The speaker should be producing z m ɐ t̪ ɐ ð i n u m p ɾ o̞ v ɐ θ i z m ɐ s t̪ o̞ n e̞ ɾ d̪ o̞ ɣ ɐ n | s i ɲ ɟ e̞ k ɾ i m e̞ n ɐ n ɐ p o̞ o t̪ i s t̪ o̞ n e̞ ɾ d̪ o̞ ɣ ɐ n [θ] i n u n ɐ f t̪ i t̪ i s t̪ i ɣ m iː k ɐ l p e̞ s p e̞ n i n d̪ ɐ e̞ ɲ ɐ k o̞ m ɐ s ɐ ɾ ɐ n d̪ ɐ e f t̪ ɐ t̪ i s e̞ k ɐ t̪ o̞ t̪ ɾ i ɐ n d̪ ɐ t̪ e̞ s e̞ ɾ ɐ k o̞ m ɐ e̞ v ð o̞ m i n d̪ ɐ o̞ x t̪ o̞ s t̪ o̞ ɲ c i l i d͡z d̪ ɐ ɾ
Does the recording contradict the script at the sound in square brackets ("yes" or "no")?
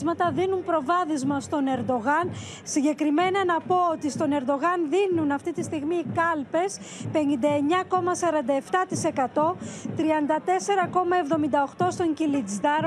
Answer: yes